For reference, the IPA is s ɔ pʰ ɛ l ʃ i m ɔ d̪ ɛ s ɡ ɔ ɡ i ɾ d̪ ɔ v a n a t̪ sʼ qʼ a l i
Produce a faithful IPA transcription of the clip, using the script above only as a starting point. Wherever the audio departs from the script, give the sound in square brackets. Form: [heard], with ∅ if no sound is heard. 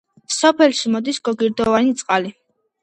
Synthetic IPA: s ɔ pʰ ɛ l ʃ i m ɔ d̪ [i] s ɡ ɔ ɡ i ɾ d̪ ɔ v a n [i] t̪ sʼ qʼ a l i